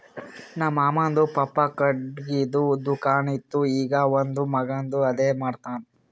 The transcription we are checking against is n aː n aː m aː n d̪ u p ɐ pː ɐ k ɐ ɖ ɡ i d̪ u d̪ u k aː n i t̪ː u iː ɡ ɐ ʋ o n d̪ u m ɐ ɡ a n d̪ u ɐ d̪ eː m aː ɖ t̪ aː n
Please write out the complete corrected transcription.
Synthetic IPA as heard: n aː m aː m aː n d̪ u p ɐ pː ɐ k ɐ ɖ ɡ i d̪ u d̪ u k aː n i t̪ː u iː ɡ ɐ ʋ o n d̪ u m ɐ ɡ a n d̪ u ɐ d̪ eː m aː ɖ t̪ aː n